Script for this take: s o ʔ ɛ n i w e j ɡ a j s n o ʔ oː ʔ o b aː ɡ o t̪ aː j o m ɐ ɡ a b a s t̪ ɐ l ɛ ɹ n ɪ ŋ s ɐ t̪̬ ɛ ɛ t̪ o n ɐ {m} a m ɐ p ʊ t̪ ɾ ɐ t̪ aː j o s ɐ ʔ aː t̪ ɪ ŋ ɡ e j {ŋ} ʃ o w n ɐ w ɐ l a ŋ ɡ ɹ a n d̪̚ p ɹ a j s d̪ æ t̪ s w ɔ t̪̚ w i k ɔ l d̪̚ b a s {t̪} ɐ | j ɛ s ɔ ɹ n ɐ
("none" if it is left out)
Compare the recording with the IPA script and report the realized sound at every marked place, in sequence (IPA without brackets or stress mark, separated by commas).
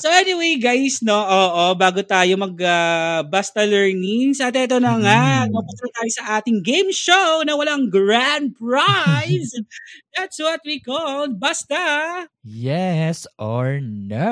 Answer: ŋ, m, t̪